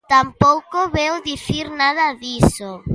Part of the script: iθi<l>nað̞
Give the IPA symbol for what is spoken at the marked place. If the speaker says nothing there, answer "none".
ɾ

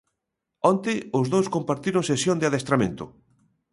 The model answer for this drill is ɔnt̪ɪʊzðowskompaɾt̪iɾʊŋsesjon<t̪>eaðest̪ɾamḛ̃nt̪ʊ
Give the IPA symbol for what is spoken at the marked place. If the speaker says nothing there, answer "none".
d̪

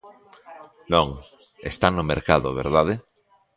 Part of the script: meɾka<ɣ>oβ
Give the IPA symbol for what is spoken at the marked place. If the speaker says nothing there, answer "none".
ð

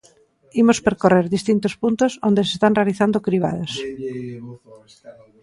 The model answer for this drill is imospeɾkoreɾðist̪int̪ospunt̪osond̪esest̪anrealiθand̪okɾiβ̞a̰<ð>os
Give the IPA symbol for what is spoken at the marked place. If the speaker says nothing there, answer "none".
ð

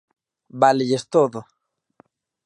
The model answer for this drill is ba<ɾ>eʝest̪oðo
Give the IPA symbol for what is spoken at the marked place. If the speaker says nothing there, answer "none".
l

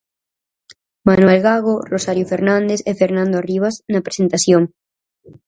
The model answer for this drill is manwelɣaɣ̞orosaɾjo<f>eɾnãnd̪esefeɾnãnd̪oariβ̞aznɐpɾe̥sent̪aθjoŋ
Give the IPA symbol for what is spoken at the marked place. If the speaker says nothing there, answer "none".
f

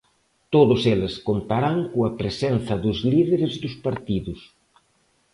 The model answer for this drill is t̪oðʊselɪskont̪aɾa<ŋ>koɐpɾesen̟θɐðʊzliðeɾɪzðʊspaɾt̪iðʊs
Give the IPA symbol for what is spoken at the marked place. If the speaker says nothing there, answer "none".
ŋ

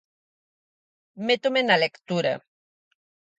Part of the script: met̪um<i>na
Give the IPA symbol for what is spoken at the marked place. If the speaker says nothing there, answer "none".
e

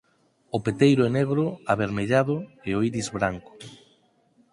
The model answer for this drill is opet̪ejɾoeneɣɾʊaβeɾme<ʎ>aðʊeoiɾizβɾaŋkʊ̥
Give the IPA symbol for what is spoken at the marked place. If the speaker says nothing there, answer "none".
ʎ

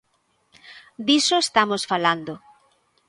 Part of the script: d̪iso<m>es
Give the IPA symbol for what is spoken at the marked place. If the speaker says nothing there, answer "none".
none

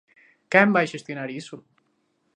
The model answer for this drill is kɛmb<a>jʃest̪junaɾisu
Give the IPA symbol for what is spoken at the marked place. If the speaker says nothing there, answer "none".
a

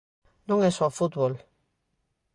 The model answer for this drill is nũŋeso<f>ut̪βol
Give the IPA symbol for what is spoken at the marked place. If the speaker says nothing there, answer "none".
f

